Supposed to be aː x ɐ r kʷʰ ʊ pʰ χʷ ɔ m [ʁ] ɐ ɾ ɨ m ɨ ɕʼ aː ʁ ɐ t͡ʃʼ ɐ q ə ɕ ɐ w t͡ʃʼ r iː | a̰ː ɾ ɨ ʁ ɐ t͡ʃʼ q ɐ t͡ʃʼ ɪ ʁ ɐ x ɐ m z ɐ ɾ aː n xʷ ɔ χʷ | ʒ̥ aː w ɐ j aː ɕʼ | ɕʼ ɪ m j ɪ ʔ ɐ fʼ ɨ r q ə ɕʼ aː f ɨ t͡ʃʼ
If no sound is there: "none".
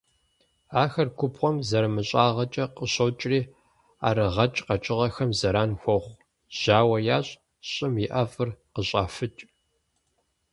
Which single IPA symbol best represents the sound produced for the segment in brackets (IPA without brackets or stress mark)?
z